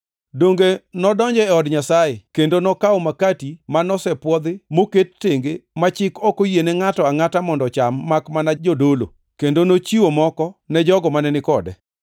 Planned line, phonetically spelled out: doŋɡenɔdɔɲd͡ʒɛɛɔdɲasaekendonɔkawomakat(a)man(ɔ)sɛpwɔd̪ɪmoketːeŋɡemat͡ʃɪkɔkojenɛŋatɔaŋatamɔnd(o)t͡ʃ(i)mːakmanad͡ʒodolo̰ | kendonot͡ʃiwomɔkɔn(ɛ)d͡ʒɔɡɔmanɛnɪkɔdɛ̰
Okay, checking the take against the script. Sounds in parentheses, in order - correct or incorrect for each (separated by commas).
incorrect, correct, incorrect, incorrect, correct